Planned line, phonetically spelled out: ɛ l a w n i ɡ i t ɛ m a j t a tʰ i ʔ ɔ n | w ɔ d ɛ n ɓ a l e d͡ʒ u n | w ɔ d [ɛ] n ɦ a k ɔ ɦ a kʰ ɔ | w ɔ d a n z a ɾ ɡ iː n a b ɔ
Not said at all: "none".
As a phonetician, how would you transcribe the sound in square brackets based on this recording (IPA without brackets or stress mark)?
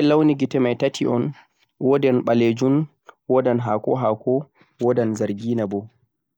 a